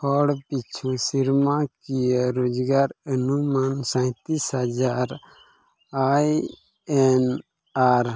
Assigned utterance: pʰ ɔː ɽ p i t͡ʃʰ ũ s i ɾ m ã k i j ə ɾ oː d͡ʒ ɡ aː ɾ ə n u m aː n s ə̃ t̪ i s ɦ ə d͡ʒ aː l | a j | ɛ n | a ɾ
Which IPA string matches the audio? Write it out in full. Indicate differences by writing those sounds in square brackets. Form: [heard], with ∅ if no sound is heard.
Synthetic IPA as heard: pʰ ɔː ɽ p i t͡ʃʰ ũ s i ɾ m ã k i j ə ɾ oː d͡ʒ ɡ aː ɾ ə n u m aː n s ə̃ t̪ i s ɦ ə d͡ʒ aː [ɾ] | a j | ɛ n | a ɾ